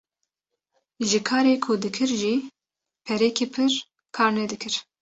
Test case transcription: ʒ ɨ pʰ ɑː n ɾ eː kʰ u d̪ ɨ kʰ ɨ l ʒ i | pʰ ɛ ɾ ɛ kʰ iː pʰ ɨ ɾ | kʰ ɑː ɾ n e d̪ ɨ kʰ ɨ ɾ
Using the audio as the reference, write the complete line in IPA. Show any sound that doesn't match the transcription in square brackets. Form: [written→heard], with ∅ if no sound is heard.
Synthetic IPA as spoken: ʒ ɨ [pʰ→kʰ] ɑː [n→∅] ɾ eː kʰ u d̪ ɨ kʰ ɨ [l→ɾ] ʒ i | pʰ ɛ ɾ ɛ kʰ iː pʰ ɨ ɾ | kʰ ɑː ɾ n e d̪ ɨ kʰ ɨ ɾ